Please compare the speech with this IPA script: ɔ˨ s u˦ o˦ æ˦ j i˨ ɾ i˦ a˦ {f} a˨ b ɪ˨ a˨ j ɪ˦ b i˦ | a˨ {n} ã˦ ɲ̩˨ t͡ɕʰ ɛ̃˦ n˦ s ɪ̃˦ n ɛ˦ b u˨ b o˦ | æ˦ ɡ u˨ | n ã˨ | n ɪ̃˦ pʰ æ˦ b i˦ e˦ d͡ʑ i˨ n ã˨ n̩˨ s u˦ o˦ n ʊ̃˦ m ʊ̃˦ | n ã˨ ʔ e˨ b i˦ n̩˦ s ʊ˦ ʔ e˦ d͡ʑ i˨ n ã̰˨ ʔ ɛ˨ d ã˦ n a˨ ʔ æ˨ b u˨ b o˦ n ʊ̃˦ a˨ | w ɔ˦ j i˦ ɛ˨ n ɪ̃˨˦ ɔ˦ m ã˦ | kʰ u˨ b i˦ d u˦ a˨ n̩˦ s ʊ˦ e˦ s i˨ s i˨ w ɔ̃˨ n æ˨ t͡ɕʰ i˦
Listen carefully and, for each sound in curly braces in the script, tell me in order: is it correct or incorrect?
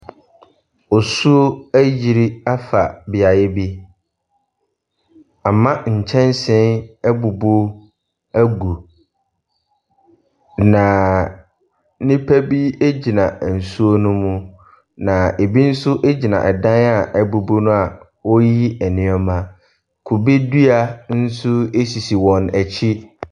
correct, incorrect: m

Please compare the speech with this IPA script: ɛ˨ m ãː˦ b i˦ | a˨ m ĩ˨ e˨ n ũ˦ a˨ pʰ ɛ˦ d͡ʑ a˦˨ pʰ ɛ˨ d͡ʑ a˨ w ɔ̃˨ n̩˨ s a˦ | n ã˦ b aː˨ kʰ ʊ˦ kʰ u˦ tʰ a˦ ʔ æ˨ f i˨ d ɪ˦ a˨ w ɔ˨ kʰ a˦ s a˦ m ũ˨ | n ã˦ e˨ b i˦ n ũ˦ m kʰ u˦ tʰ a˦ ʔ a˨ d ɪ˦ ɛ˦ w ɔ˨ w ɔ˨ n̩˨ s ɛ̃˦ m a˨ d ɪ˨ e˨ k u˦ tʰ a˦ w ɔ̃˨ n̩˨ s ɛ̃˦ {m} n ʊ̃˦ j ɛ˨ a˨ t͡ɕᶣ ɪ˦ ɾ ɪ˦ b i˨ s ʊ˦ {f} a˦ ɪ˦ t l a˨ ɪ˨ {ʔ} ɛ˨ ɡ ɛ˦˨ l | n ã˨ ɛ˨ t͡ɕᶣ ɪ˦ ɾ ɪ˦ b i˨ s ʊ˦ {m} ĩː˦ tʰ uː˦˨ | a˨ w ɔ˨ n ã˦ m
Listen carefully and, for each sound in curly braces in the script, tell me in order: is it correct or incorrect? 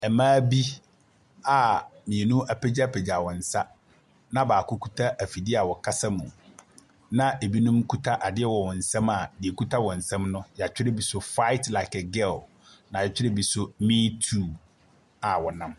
correct, correct, incorrect: k, correct

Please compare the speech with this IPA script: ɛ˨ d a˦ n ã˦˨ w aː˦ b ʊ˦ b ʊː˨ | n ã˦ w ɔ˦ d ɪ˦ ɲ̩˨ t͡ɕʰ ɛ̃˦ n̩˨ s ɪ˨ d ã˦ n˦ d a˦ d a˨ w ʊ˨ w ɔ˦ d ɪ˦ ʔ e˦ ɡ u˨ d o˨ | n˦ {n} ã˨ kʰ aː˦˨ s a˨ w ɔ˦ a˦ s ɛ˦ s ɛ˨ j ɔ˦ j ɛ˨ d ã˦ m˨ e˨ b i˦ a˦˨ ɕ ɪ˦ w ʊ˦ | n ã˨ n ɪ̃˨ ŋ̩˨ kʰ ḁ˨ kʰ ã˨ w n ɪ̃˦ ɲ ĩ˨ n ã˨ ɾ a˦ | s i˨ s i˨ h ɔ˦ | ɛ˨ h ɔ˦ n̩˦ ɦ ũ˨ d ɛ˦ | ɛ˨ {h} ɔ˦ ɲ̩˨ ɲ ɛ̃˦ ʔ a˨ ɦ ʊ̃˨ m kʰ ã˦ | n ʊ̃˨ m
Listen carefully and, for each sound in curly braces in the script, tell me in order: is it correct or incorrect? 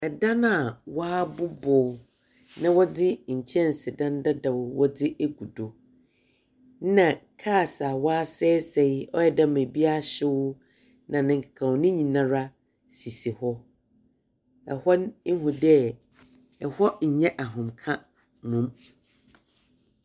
correct, correct

